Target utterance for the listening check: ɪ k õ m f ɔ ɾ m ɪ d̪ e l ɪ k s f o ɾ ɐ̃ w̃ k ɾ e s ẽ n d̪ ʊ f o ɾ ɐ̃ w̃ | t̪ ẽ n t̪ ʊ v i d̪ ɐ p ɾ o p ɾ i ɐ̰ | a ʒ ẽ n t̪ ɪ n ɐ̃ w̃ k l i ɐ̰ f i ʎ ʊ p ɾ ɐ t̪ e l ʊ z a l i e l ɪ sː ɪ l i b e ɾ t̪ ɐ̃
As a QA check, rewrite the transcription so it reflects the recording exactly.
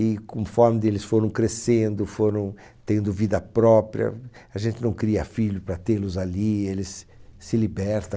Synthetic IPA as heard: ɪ k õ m f ɔ ɾ m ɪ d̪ e l ɪ s f o ɾ ɐ̃ w̃ k ɾ e s ẽ n d̪ ʊ f o ɾ ɐ̃ w̃ | t̪ ẽ n d̪ ʊ v i d̪ ɐ p ɾ ɔ p ɾ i ɐ̰ | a ʒ ẽ n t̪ ɪ n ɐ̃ w̃ k ɾ i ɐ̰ f i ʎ ʊ p ɾ ɐ t̪ e l ʊ z a l i e l ɪ sː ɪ l i b ɛ ɾ t̪ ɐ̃